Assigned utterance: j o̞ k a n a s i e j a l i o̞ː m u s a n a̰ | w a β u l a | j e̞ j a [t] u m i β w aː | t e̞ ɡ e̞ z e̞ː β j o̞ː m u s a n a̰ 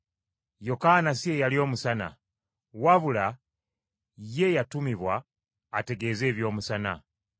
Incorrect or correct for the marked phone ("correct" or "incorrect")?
correct